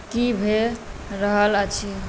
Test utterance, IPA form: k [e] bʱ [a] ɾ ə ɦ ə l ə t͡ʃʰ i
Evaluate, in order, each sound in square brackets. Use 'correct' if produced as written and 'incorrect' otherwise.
incorrect: i, incorrect: e

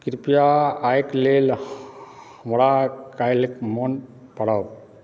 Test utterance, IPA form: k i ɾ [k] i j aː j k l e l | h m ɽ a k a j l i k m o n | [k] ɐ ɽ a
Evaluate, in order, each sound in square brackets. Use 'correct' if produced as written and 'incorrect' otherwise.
incorrect: p, incorrect: p

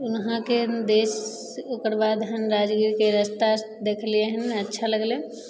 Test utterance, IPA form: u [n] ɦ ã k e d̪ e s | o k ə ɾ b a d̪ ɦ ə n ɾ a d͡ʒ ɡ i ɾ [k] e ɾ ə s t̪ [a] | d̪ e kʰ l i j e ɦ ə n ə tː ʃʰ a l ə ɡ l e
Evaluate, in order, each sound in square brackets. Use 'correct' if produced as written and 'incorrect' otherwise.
correct, correct, correct

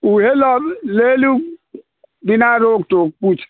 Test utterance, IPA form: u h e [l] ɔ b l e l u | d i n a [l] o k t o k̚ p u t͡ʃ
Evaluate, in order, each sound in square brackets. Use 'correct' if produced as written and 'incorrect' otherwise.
correct, incorrect: ɾ

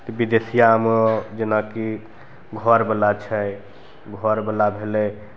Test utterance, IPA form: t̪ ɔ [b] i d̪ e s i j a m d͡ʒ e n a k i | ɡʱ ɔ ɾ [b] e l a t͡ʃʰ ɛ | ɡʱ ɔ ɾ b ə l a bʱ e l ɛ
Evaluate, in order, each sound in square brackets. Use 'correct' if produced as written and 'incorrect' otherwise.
correct, correct

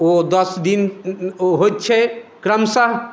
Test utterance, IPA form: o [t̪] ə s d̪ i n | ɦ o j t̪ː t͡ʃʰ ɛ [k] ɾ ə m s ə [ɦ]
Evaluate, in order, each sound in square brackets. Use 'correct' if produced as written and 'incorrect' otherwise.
incorrect: d̪, correct, correct

